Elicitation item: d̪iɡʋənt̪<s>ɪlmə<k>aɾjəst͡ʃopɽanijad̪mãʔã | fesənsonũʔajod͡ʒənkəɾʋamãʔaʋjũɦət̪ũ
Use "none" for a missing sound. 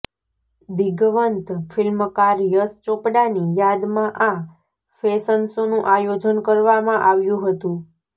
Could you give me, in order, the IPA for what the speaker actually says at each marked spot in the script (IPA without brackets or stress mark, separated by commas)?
f, k